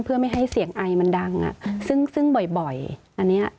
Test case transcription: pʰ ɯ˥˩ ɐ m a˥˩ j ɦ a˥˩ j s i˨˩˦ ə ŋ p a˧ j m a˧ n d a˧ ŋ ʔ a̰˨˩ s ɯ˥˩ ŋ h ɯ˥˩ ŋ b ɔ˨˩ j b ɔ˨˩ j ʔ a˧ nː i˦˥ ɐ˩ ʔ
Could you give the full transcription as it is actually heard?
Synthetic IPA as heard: pʰ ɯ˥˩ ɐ m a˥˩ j ɦ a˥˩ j s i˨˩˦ ə ŋ ʔ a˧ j m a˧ n d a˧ ŋ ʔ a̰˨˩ s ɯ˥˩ ŋ s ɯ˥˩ ŋ b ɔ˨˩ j b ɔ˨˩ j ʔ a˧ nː i˦˥ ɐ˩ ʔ